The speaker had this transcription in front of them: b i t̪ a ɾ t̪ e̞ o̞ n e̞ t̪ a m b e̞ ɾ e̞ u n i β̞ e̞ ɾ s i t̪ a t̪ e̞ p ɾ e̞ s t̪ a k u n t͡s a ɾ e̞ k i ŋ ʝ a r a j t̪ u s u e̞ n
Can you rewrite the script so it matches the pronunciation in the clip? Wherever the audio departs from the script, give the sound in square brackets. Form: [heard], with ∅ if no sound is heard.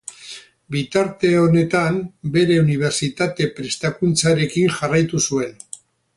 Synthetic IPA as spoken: b i t̪ a ɾ t̪ e̞ o̞ n e̞ t̪ a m b e̞ ɾ e̞ u n i β̞ e̞ ɾ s i t̪ a t̪ e̞ p ɾ e̞ s t̪ a k u n t͡s a ɾ e̞ k i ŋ ʝ a r a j t̪ u s u e̞ n